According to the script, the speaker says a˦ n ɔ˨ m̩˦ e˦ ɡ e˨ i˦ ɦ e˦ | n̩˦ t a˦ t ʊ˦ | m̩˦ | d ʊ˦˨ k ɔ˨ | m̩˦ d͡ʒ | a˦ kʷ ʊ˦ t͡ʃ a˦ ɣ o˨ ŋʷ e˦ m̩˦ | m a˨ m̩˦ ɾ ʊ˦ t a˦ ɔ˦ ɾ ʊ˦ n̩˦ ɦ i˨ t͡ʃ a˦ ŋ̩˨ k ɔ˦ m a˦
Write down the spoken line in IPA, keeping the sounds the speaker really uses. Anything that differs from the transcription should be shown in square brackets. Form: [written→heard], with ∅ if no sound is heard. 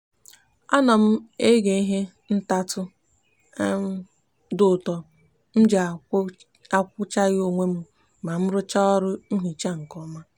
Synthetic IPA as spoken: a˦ n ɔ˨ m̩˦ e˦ ɡ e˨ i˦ ɦ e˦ | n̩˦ t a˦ t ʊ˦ | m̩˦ | d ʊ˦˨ [k→t] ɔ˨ | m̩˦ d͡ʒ | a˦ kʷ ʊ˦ t͡ʃ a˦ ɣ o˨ ŋʷ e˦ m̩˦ | m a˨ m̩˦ ɾ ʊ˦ [t→t͡ʃ] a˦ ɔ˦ ɾ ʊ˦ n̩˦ ɦ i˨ t͡ʃ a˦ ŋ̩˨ k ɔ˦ m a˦